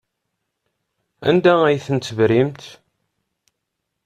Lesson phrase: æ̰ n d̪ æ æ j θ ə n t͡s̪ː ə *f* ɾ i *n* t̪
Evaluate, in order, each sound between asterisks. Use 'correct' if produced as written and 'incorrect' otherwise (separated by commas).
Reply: incorrect, incorrect